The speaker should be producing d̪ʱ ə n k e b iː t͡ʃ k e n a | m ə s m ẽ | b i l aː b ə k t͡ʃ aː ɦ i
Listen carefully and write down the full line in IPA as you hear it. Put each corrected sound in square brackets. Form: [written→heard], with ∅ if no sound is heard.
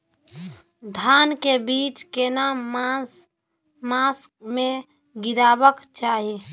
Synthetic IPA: d̪ʱ [ə→a] n k e b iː t͡ʃ k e n a | m [ə→a] s m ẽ | [b→ɡ] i [l→ɾ] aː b ə k t͡ʃ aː ɦ i